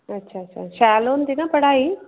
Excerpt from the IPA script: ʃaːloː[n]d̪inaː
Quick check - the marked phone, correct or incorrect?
correct